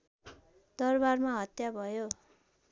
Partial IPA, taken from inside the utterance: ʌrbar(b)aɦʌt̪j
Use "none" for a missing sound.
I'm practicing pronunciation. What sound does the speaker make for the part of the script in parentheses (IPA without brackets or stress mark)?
m